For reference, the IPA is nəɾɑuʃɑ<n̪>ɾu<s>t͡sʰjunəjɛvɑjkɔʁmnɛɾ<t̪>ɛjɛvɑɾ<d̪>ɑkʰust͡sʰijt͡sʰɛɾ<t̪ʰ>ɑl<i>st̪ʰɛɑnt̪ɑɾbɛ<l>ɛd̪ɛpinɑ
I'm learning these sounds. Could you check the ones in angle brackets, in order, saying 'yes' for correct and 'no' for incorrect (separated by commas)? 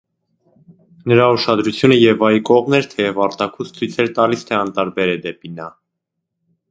no, no, no, no, no, yes, no